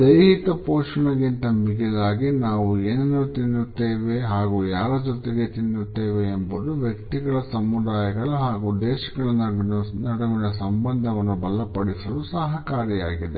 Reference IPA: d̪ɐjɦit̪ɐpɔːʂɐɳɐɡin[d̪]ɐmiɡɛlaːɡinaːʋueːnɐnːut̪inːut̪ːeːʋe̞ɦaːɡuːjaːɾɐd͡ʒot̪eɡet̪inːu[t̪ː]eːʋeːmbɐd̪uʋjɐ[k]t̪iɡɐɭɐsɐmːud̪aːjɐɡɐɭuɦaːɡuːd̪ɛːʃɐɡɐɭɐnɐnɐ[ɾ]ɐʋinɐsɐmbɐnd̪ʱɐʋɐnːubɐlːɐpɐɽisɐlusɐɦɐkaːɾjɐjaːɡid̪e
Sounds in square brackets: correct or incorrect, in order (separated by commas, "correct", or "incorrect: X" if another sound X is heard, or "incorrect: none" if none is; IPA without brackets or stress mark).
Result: incorrect: t̪, correct, correct, incorrect: ɽ